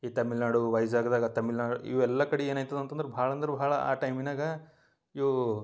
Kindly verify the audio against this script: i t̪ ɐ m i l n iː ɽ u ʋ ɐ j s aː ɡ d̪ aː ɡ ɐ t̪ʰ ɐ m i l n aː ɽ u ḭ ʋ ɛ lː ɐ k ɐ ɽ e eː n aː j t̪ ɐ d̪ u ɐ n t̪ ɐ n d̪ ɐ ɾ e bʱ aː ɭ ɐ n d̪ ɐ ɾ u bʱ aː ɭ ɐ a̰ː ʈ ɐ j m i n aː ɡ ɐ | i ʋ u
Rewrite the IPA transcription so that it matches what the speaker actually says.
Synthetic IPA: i t̪ ɐ m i l n aː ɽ u ʋ ɐ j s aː ɡ d̪ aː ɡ ɐ t̪ ɐ m i l n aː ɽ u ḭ ʋ ɛ lː ɐ k ɐ ɽ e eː n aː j t̪ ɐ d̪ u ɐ n t̪ ɐ n d̪ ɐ ɾ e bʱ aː ɭ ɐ n d̪ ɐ ɾ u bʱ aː ɭ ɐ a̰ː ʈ ɐ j m i n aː ɡ ɐ | i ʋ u